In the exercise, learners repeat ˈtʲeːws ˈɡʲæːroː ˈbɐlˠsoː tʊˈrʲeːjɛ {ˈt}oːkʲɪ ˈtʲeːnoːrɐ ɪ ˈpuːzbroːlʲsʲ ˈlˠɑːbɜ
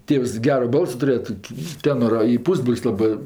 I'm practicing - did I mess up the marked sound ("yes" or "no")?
no